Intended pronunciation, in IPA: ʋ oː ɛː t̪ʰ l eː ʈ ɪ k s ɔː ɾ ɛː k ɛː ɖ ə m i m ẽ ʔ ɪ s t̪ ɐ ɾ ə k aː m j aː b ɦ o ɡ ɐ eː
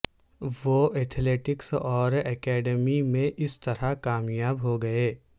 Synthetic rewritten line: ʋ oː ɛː t̪ʰ l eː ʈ ɪ k s ɔː ɾ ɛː k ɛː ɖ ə m i m ẽ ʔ ɪ s t̪ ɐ ɾ a k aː m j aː b ɦ o ɡ ɐ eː